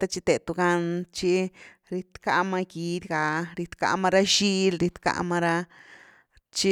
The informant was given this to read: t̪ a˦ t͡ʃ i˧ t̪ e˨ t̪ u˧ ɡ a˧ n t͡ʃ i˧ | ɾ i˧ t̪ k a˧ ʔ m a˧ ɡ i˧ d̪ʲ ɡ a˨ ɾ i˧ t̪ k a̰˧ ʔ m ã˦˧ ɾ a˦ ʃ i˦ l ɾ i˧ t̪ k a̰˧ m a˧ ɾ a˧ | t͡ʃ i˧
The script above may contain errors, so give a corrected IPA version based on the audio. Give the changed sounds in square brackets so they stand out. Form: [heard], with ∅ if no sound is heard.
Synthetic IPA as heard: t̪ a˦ t͡ʃ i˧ t̪ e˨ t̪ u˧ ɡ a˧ n t͡ʃ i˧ | ɾ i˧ t̪ k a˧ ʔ m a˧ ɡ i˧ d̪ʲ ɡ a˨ ɾ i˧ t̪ k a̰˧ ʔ m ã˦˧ ɾ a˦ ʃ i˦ l ɾ i˧ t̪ k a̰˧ m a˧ ɾ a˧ | t͡ʃ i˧